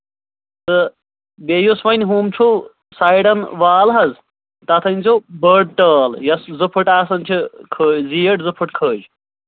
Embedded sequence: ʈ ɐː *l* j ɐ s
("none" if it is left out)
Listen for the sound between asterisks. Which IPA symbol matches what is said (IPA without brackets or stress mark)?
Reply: l